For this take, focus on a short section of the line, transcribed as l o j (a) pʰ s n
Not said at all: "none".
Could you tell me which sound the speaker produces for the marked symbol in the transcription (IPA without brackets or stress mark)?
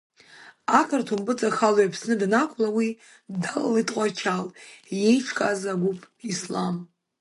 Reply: a